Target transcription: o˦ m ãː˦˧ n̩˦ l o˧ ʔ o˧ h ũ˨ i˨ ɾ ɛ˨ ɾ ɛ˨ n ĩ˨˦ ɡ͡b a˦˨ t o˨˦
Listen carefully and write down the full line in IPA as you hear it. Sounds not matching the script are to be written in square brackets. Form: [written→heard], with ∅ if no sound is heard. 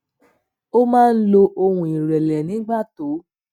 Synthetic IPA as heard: o˦ m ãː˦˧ n̩˦ l o˧ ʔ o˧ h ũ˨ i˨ ɾ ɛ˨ [ɾ→l] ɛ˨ n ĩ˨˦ ɡ͡b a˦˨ t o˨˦